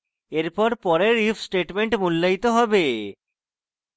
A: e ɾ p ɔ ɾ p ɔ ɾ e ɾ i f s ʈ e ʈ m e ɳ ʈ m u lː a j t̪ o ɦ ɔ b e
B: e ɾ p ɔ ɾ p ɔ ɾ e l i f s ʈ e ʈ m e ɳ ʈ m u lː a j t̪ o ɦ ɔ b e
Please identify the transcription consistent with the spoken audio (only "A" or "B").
A